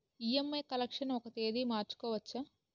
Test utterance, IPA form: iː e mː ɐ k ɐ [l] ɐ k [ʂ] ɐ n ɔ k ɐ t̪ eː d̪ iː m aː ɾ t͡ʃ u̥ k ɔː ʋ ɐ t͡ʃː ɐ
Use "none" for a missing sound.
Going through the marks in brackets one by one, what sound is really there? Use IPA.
l, ʂ

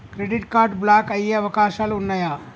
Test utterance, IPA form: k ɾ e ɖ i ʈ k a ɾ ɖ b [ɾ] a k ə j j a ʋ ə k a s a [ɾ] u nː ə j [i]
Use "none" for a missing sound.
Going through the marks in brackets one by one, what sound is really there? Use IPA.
l, l, a

